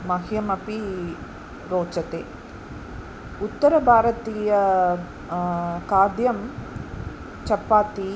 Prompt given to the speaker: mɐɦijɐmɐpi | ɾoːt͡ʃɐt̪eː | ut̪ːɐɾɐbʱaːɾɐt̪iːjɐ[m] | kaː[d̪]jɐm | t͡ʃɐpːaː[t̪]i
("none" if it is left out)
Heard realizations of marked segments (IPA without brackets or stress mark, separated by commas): none, d̪, t̪